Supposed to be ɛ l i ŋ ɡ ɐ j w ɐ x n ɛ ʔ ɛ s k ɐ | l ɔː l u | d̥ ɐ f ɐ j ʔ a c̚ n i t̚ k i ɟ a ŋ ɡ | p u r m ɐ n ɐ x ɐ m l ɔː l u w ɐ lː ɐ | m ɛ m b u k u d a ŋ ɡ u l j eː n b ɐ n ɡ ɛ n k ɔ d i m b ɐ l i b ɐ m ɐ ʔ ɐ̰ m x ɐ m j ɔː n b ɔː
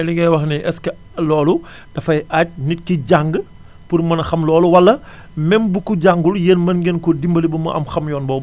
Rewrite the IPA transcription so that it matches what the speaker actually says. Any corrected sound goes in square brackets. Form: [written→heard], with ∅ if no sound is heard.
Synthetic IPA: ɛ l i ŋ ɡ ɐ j w ɐ x n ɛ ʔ ɛ s k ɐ | l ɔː l u | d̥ ɐ f ɐ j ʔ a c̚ n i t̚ k i ɟ a ŋ ɡ | p u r m ɐ n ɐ x ɐ m l ɔː l u w ɐ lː ɐ | m ɛ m b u k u [d→ɟ] a ŋ ɡ u l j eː n [b→m] ɐ n ɡ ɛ n k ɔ d i m b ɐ l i b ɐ m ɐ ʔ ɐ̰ m x ɐ m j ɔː n b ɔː